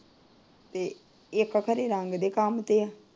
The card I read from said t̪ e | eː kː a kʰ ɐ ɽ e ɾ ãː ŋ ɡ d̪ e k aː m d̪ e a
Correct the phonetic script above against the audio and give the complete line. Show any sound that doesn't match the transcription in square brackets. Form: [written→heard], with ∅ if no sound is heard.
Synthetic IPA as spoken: t̪ e | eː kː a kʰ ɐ [ɽ→ɾ] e ɾ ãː ŋ ɡ d̪ e k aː m [d̪→t̪] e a